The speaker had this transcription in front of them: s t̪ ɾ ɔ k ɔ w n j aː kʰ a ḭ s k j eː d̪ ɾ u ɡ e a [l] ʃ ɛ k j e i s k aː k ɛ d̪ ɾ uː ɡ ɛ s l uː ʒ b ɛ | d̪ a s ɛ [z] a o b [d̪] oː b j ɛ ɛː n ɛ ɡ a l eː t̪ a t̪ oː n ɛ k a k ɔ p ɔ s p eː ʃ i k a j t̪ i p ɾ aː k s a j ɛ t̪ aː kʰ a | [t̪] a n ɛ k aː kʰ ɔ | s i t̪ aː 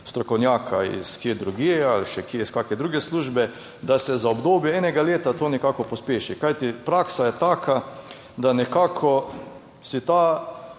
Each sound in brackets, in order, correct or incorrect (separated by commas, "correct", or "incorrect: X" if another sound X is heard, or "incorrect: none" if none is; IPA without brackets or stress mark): correct, correct, correct, incorrect: d̪